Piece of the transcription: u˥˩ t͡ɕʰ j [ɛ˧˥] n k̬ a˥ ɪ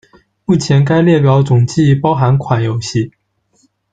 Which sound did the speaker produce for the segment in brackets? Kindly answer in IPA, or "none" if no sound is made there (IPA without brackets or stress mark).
ɛ˧˥